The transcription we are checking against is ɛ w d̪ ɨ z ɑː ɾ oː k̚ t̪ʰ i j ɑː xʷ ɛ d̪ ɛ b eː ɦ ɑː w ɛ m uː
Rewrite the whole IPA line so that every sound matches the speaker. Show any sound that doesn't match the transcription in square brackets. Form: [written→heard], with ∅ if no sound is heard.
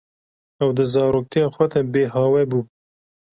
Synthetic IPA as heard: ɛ w d̪ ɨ z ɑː ɾ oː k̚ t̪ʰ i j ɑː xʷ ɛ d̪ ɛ b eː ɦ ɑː w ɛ [m→b] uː

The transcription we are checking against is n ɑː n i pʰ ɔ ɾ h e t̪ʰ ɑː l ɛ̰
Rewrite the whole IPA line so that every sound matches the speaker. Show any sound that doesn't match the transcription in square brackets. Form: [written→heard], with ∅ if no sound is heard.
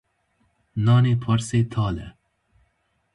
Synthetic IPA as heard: n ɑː n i pʰ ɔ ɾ [h→s] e t̪ʰ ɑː l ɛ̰

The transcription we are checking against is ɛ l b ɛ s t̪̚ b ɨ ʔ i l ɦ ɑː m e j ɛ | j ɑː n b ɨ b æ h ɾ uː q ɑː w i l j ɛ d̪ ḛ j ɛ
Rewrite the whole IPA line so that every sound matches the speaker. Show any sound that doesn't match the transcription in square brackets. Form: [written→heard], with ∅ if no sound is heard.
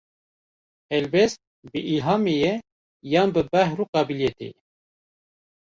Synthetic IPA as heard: ɛ l b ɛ s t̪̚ b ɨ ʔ i l ɦ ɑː m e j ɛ | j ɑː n b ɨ b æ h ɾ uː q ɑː [w→b] i l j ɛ [d̪→t̪] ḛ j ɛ

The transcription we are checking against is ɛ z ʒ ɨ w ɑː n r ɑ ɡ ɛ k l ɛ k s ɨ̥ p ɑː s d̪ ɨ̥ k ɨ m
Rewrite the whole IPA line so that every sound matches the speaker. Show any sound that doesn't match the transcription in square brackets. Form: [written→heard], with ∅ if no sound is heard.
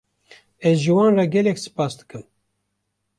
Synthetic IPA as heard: ɛ z ʒ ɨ w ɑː n r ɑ ɡ ɛ [k→∅] l ɛ k s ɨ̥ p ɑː s d̪ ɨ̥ k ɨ m

